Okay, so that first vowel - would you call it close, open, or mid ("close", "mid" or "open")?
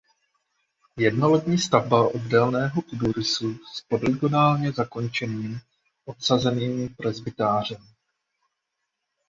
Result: mid